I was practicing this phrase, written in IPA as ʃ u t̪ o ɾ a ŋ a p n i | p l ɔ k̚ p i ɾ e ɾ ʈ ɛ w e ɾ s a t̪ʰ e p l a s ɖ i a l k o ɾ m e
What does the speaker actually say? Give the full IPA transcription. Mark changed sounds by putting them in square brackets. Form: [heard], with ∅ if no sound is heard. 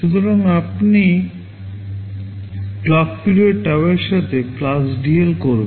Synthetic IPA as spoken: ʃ u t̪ o ɾ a ŋ a p n i | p l ɔ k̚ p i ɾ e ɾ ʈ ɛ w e ɾ [ʃ] a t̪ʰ e p l a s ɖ i [e] l k o ɾ [b] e

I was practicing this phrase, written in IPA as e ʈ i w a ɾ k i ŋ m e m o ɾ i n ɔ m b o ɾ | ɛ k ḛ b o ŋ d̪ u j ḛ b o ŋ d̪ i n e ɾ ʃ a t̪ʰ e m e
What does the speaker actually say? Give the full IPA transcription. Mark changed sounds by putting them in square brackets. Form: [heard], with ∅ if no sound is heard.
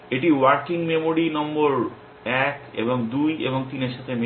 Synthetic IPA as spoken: e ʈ i w a ɾ k i ŋ m e m o ɾ i n ɔ m b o ɾ | ɛ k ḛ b o ŋ d̪ u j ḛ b o ŋ [t̪] i n e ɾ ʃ a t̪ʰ e m e

